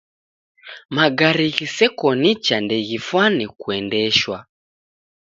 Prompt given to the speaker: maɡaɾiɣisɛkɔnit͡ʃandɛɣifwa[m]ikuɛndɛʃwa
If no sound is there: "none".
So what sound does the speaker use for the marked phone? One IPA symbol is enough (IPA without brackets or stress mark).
n